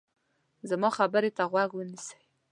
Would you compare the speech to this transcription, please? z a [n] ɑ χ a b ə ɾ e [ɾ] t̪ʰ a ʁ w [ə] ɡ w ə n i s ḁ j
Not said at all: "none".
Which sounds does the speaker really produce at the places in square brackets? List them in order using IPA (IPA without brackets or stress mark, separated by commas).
m, none, a